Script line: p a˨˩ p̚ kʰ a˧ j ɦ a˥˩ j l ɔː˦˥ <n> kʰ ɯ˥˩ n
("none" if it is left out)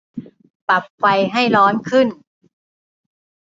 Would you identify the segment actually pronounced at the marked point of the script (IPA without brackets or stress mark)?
n